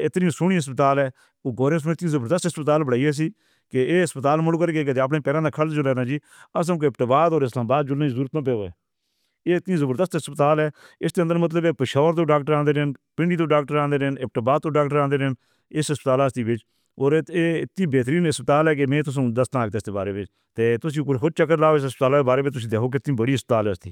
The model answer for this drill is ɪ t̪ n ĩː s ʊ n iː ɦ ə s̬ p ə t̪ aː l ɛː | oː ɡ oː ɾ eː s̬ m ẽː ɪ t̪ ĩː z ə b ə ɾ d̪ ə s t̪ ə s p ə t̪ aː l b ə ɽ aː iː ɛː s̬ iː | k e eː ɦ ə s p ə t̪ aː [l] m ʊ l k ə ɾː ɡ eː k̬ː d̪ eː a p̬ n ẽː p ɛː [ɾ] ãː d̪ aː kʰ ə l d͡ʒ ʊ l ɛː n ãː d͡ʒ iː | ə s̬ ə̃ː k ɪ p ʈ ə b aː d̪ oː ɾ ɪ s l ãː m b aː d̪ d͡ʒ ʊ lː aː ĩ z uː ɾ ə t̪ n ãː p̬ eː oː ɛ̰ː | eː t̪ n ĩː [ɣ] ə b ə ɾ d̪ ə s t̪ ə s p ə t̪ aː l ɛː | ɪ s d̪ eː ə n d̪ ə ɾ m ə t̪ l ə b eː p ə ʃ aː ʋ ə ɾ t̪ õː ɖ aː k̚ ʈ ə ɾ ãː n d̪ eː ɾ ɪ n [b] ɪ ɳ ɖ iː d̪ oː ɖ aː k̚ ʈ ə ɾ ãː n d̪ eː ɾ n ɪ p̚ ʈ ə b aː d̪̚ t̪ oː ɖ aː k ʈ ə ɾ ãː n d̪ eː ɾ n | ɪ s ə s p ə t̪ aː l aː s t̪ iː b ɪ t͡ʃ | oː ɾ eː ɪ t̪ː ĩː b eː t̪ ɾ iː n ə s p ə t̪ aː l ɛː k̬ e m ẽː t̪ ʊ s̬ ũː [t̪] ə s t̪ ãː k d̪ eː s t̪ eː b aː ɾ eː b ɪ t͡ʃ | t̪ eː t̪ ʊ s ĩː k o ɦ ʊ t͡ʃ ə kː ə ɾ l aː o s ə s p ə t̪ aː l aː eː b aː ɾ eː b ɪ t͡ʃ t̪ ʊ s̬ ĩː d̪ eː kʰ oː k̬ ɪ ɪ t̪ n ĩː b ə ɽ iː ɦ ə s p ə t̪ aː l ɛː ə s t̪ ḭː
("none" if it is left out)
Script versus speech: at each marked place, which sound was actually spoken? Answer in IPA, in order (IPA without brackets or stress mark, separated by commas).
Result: l, ɾ, z, p, d̪